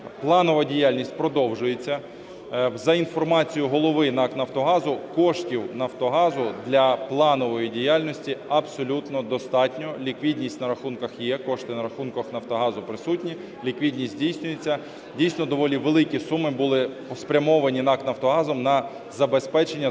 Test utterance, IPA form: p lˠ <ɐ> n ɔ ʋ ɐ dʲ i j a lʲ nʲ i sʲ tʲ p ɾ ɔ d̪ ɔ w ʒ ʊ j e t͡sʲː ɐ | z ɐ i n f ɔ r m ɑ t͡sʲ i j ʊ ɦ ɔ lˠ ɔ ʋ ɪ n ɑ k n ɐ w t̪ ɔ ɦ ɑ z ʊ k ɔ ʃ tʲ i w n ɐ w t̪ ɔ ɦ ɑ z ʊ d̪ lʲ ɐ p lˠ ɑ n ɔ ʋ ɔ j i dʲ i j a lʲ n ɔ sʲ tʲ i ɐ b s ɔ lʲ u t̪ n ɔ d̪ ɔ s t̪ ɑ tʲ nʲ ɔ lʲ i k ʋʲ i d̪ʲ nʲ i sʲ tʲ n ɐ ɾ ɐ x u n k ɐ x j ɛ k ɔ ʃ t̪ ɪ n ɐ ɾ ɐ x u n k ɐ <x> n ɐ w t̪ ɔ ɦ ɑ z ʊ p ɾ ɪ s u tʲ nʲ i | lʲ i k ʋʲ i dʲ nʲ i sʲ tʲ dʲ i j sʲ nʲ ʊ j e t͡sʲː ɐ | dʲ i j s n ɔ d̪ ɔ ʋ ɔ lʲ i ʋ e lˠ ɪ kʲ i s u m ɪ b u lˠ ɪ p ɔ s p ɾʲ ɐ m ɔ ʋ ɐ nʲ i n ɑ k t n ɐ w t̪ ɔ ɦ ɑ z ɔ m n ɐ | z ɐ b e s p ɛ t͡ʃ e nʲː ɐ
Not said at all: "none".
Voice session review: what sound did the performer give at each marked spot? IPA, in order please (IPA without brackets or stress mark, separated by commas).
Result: ɑ, x